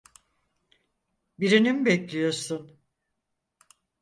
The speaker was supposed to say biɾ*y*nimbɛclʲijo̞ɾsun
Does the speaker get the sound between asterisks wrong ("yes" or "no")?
yes